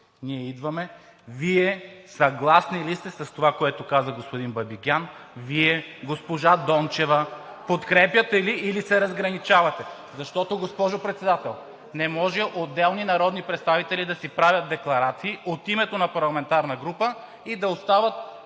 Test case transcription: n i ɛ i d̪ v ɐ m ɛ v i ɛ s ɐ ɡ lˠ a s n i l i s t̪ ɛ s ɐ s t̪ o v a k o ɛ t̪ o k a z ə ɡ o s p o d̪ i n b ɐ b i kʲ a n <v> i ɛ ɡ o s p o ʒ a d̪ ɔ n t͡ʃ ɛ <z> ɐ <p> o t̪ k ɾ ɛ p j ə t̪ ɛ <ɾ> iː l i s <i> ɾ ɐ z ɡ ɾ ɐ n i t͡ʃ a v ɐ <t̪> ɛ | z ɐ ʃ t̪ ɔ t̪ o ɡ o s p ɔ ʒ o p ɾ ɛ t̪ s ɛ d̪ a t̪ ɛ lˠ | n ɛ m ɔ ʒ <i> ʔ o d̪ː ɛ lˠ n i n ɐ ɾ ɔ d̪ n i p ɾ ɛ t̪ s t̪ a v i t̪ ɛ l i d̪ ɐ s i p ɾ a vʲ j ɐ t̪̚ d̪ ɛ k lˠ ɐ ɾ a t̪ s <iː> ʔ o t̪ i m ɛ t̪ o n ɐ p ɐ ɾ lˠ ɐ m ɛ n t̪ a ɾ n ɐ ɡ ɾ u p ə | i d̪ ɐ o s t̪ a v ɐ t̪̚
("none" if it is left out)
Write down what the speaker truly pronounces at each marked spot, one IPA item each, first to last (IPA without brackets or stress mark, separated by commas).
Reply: v, v, p, l, ɛ, t̪, ɛ, iː